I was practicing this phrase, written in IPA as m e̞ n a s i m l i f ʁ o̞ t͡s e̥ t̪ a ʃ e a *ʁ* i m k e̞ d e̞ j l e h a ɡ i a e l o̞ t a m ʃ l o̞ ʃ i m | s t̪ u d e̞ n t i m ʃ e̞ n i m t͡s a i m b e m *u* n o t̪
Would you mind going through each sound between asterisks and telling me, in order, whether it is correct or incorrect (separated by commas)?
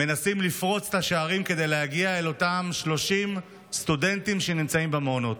correct, incorrect